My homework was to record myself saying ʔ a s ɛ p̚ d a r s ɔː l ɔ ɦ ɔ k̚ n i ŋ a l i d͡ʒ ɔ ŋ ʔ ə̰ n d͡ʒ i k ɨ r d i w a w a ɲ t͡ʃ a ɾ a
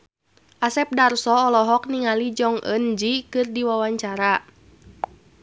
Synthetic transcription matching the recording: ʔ a s ɛ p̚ d a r s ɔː l ɔ ɦ ɔ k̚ n i ŋ a l i d͡ʒ ɔ ŋ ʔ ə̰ n d͡ʒ i k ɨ r d i w a w a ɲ t͡ʃ a ɾ a